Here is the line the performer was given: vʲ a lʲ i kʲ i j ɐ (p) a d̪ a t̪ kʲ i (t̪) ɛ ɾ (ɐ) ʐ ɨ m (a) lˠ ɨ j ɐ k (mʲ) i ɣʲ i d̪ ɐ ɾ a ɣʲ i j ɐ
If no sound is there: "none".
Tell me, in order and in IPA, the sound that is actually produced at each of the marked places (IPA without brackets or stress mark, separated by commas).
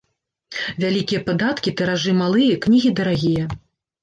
p, t̪, a, a, nʲ